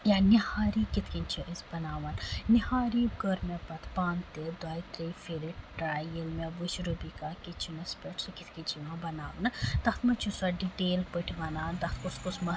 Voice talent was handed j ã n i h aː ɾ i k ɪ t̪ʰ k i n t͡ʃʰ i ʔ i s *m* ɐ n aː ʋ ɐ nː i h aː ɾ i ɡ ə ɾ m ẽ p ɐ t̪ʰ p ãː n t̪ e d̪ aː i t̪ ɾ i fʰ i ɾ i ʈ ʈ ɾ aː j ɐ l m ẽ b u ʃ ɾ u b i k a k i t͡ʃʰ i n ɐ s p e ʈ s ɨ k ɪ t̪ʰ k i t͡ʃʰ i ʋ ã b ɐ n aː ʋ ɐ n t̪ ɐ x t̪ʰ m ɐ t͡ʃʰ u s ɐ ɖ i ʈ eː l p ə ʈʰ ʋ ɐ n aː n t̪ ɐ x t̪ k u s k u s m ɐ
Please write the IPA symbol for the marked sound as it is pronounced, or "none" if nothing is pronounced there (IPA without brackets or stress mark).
b